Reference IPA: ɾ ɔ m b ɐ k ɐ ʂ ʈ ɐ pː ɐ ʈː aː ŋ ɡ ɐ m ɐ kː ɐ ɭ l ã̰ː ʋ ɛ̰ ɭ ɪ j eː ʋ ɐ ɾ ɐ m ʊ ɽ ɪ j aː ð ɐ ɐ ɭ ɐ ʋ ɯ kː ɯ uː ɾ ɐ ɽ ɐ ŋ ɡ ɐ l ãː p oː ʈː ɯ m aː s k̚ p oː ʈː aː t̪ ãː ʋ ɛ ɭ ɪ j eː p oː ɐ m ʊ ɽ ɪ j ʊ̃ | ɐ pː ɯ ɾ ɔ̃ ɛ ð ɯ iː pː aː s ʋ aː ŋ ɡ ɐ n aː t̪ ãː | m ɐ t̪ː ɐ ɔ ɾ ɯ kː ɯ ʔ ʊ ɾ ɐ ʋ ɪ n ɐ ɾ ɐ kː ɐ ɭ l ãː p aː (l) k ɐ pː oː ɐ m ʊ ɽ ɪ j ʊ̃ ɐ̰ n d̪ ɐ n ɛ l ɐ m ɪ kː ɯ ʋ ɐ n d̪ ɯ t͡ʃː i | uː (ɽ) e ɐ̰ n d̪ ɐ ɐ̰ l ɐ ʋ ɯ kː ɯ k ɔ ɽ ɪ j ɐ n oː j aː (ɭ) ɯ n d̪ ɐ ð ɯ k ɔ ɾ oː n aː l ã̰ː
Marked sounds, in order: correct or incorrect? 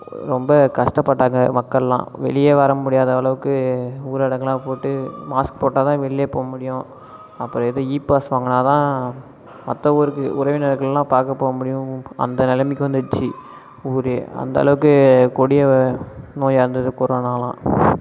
incorrect: ɾ, incorrect: ɾ, incorrect: ɾ

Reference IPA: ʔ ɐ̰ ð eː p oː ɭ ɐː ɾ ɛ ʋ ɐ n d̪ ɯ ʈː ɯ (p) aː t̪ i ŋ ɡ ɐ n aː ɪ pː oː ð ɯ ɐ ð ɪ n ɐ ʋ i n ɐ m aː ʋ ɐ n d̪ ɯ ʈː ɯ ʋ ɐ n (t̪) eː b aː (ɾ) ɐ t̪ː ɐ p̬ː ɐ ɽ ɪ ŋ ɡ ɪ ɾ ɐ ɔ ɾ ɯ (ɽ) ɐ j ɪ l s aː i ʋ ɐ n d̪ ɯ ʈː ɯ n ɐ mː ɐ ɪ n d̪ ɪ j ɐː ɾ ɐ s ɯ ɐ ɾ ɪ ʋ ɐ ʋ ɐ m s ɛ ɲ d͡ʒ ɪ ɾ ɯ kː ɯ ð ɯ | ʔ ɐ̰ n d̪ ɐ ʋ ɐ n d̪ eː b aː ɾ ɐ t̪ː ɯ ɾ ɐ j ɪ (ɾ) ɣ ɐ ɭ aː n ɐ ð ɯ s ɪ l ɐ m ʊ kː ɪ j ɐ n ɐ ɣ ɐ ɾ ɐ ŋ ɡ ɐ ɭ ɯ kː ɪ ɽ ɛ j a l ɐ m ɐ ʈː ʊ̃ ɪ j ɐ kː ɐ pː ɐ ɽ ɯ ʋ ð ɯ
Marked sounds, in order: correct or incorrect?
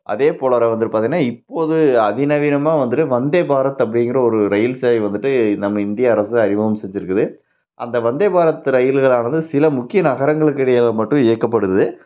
correct, incorrect: d̪, correct, incorrect: ɾ, incorrect: l

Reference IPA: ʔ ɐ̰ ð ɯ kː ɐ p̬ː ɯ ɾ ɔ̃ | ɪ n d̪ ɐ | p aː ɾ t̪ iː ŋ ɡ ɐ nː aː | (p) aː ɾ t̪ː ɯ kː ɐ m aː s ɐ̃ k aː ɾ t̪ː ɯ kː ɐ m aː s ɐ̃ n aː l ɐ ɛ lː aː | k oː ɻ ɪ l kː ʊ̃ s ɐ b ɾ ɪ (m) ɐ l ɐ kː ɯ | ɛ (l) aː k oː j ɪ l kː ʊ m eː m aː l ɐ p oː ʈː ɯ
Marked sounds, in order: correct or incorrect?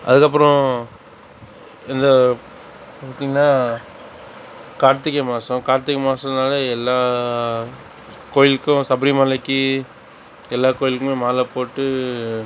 incorrect: k, correct, incorrect: lː

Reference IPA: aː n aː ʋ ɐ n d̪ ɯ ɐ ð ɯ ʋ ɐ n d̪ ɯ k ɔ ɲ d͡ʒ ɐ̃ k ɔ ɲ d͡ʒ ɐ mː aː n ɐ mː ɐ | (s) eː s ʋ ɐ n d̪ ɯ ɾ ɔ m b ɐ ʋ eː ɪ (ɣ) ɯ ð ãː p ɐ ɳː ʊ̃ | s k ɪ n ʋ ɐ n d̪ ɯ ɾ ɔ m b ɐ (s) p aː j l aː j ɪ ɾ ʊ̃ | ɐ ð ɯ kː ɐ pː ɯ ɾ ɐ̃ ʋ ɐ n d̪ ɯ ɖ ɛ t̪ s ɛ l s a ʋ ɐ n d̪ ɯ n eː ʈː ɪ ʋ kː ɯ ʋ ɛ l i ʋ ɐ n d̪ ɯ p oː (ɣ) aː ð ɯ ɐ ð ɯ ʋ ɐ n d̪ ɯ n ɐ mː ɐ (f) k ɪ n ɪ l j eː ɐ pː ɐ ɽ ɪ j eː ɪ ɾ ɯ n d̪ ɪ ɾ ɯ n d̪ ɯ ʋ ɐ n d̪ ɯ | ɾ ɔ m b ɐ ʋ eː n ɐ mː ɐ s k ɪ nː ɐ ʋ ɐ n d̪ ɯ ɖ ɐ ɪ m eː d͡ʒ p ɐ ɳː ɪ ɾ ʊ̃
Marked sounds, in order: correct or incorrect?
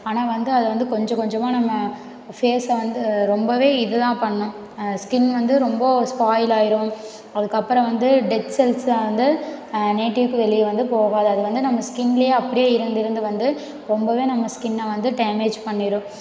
incorrect: f, incorrect: ð, correct, correct, incorrect: s

